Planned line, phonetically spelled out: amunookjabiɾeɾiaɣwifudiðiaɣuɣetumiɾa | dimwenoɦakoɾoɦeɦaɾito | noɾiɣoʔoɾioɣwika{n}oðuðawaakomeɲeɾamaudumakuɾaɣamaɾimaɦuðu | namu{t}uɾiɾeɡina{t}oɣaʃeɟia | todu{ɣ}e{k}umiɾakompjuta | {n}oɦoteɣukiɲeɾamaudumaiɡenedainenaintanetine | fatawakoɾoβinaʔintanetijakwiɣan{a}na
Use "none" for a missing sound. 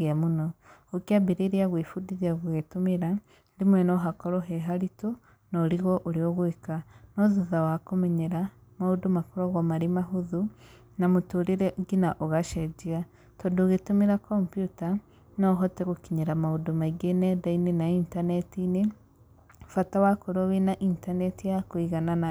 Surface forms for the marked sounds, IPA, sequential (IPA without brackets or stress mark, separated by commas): n, t, ʔ, ɣ, t, n, a